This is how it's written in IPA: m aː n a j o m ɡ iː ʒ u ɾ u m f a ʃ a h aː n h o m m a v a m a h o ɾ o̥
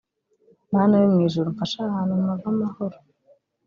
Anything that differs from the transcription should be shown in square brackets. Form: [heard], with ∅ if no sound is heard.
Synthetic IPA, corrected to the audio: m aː n a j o m [ŋ] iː ʒ u ɾ u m f a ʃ a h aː n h [u] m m a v a m a h o ɾ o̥